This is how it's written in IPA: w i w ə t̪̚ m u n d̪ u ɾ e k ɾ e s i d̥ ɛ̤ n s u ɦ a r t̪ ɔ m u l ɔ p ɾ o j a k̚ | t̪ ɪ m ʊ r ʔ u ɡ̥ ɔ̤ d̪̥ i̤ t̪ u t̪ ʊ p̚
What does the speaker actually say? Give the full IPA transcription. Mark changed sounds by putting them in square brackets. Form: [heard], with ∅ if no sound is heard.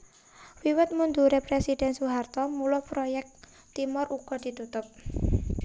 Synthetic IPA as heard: w i w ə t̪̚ m u n d̪ u ɾ e [p] ɾ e s i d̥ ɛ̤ n s u ɦ a r t̪ ɔ m u l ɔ p ɾ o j [ɛ] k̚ | t̪ [i] m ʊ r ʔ u ɡ̥ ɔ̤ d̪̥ i̤ t̪ u t̪ ʊ p̚